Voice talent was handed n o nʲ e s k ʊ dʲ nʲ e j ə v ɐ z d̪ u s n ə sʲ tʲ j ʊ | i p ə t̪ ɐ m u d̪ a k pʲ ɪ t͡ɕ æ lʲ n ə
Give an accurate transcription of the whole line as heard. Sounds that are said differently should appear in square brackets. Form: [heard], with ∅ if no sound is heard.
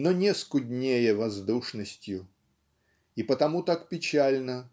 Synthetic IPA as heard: n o nʲ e s k ʊ dʲ nʲ e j ə v ɐ z d̪ u [ʂ] n ə sʲ tʲ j ʊ | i p ə t̪ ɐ m u [t̪] a k pʲ ɪ t͡ɕ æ lʲ n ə